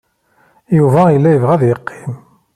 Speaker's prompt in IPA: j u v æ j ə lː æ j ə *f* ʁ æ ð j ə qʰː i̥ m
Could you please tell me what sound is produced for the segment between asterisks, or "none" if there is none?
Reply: v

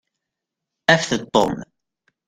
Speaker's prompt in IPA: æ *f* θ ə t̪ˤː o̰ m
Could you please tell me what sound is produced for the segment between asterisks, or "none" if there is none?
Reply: f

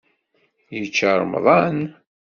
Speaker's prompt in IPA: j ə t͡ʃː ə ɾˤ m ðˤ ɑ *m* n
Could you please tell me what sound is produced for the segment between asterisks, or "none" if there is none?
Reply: none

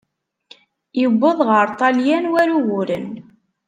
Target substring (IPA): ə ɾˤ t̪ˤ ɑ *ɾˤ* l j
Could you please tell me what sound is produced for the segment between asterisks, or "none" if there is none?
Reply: none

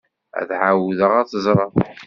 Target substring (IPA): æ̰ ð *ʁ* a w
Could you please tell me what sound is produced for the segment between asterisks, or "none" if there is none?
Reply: ʕ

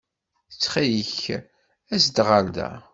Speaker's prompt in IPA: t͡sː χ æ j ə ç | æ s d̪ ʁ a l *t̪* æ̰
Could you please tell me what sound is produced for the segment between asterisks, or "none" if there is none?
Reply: d̪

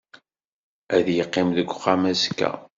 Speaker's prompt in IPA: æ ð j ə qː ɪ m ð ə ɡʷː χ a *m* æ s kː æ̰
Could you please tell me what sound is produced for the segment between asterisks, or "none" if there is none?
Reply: m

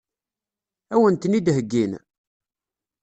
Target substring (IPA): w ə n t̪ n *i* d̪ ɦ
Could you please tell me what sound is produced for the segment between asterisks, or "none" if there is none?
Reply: i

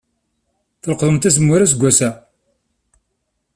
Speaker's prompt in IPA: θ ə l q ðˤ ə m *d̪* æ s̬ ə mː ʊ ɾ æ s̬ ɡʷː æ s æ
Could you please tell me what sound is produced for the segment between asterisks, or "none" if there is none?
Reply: t̪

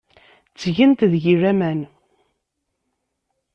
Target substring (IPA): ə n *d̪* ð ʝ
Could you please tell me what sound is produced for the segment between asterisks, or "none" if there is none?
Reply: t̪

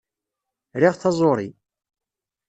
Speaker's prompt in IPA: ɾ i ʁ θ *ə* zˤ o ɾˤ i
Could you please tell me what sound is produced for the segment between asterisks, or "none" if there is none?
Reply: ɑ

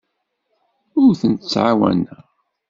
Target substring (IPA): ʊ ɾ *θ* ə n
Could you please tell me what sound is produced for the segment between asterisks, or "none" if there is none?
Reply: θ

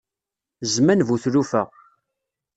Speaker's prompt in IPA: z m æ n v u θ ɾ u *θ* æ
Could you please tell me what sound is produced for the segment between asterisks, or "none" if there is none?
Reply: f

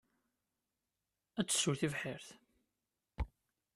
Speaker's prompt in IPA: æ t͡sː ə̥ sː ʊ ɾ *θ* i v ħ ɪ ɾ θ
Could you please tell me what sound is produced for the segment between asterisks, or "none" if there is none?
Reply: θ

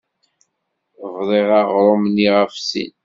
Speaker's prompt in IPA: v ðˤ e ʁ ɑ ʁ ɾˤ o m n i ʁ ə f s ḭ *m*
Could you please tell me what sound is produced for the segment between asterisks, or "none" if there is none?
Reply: n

